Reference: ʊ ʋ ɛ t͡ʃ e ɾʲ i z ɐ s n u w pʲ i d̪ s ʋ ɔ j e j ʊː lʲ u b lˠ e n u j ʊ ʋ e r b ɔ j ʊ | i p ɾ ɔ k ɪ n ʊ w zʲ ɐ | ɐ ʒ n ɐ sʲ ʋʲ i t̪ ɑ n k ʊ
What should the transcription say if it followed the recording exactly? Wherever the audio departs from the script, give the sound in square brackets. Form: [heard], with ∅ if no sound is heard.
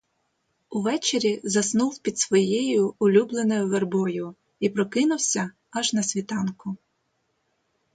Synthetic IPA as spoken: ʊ ʋ ɛ t͡ʃ e ɾʲ i z ɐ s n u w pʲ i d̪ s ʋ ɔ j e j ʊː lʲ u b lˠ e n [ɔ] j ʊ ʋ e r b ɔ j ʊ | i p ɾ ɔ k ɪ n ʊ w [sʲ] ɐ | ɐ ʒ n ɐ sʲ ʋʲ i t̪ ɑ n k ʊ